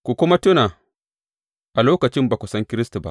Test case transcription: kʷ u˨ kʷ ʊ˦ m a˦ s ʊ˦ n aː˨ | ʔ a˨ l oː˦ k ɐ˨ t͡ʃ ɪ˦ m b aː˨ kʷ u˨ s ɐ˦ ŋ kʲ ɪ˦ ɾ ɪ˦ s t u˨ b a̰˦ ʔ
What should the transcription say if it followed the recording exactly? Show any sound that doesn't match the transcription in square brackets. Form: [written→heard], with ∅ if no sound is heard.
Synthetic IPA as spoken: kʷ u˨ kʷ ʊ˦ m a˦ [s→t] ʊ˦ n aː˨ | ʔ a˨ l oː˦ k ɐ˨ t͡ʃ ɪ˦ m b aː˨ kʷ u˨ s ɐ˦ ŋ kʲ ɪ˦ ɾ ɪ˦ s t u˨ b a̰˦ ʔ